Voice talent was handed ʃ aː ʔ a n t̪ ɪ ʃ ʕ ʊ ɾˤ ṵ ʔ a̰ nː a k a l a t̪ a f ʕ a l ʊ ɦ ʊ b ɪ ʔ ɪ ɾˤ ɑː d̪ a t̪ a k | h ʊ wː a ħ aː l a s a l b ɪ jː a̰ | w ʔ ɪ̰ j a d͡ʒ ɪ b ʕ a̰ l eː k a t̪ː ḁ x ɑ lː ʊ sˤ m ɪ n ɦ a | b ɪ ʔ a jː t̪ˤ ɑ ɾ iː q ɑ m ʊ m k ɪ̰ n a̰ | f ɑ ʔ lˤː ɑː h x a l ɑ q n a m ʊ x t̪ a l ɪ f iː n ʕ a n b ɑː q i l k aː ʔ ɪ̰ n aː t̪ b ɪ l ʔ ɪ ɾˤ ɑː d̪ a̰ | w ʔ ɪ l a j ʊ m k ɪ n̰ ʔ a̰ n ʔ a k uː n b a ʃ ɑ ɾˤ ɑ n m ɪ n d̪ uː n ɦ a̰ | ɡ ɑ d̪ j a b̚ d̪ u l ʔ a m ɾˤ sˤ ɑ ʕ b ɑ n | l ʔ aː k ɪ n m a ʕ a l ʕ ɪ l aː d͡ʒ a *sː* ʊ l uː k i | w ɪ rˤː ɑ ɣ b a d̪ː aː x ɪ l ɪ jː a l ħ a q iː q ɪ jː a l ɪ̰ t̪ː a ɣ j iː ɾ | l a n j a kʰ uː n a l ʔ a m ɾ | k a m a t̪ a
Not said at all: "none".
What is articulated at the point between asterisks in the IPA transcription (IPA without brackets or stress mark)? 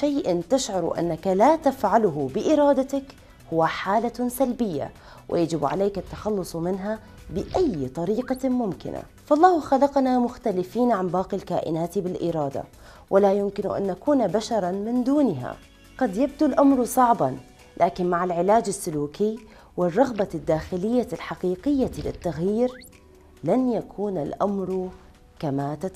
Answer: sː